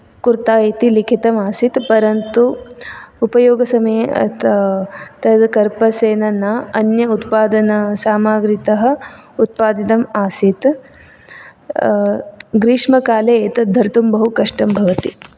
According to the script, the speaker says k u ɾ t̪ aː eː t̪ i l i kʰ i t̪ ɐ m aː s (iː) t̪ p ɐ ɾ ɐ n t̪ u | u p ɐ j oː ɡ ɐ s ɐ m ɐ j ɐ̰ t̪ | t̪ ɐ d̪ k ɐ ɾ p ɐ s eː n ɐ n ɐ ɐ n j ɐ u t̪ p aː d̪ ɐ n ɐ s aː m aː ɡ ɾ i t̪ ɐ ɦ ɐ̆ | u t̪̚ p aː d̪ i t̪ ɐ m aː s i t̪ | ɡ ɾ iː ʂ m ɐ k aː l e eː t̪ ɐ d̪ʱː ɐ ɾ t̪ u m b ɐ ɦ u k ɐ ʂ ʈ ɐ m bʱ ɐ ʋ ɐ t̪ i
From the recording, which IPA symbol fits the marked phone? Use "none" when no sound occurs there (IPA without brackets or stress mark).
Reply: i